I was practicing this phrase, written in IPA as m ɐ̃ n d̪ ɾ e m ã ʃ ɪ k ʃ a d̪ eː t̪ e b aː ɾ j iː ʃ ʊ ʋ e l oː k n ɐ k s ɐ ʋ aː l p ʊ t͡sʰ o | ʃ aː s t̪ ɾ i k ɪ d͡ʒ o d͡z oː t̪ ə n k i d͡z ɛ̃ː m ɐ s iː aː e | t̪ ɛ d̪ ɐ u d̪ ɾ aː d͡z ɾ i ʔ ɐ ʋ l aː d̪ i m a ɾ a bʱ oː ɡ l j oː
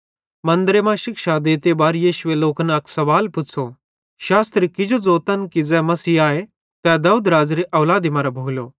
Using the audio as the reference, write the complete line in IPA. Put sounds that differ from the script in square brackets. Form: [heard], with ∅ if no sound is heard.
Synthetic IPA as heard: m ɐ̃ n d̪ ɾ e m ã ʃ ɪ k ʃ a d̪ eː t̪ e b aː ɾ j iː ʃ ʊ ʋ e l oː k n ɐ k s ɐ ʋ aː l p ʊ t͡sʰ o | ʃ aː s t̪ ɾ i k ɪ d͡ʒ o d͡z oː t̪ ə n k i d͡z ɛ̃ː m ɐ s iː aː e | t̪ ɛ d̪ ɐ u d̪ ɾ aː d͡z ɾ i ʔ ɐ ʋ l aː d̪ i m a ɾ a bʱ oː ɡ l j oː

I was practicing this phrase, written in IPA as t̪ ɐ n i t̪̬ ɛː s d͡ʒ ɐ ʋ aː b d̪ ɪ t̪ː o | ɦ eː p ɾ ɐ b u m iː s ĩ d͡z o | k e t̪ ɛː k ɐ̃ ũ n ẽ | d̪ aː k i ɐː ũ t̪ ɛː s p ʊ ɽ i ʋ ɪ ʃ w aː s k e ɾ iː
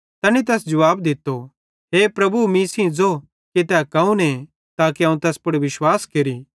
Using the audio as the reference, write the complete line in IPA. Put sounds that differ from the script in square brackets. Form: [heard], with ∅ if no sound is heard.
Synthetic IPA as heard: t̪ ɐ n i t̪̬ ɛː s d͡ʒ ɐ ʋ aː b d̪ ɪ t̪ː o | ɦ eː p ɾ ɐ b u m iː s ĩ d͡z o | k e t̪ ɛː k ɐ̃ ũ n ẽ | [t̪] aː k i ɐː ũ t̪ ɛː s p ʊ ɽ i ʋ ɪ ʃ w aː s k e ɾ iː

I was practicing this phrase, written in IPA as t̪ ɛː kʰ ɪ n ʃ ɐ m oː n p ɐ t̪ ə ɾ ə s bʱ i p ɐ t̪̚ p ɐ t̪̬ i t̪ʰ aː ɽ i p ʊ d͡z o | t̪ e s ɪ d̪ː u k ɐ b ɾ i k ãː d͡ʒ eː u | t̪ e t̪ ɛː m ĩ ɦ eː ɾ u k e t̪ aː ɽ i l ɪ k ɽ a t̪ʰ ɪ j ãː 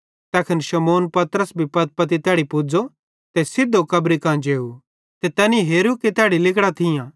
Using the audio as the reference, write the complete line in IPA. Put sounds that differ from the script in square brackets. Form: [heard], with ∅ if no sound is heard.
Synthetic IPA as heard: t̪ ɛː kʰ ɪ n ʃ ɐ m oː n p ɐ t̪ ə ɾ ə s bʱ i p ɐ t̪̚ p ɐ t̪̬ i [t̪] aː ɽ i p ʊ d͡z o | t̪ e s ɪ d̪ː [o] k ɐ b ɾ i k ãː d͡ʒ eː u | t̪ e t̪ ɛː [n] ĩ ɦ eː ɾ u k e t̪ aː ɽ i l ɪ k ɽ a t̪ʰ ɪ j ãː

